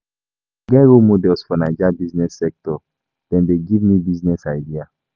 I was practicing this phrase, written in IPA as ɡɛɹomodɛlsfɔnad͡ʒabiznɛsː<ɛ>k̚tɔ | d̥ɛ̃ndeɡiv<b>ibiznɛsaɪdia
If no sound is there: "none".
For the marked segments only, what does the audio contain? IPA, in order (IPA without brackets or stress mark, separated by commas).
ɛ, m